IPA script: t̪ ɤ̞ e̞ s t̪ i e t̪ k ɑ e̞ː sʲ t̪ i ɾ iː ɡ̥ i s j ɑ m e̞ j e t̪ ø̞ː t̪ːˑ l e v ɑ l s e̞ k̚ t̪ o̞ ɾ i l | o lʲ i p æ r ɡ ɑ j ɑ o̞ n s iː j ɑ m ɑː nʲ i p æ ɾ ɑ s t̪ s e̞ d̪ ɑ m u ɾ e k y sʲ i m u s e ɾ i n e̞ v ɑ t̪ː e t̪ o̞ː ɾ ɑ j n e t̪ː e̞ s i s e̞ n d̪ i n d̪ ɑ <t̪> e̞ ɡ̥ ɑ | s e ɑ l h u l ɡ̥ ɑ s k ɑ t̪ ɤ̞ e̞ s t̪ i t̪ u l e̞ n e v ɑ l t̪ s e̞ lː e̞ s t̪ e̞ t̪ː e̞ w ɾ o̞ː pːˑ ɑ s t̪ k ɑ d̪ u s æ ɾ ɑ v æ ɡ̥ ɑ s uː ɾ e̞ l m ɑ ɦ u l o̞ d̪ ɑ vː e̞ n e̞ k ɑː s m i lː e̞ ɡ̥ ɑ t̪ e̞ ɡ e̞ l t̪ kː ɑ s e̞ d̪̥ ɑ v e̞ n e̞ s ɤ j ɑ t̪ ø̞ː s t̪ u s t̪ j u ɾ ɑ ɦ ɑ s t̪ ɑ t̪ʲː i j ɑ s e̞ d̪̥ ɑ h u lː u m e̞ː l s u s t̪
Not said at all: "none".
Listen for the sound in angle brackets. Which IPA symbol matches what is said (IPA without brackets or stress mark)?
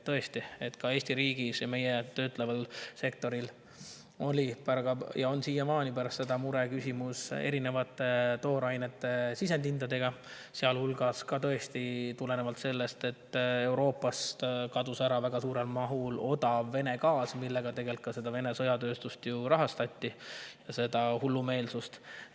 d̪